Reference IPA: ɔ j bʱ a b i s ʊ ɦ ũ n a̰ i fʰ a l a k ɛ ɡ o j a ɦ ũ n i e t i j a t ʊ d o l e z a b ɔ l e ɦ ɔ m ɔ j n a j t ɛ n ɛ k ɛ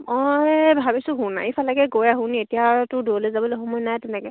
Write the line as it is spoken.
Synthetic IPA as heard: ɔ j bʱ a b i s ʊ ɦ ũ n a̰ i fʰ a l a k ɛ ɡ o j a ɦ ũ n i e t i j a t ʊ d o l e z a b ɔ l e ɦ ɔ m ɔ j n a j t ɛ n ɛ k ɛ